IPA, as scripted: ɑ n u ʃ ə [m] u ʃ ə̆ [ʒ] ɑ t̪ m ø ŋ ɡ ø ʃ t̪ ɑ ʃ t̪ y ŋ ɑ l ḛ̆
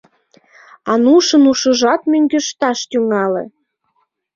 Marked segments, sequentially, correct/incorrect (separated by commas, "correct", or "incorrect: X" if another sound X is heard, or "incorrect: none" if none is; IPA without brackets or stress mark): incorrect: n, correct